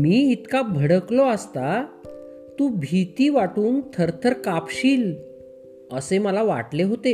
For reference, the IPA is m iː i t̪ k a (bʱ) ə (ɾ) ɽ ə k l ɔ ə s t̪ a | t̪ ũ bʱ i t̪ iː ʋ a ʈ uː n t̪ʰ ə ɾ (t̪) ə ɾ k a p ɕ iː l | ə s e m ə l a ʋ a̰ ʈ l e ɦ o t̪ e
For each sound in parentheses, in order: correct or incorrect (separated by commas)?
correct, incorrect, incorrect